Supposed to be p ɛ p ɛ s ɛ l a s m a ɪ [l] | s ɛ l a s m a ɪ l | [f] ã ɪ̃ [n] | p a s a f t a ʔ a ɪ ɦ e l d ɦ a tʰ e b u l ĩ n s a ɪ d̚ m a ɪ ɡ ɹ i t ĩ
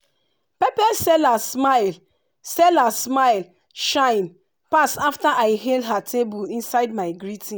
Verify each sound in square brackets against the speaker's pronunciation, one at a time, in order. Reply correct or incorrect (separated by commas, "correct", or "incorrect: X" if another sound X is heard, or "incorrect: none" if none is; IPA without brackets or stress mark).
correct, incorrect: ʃ, correct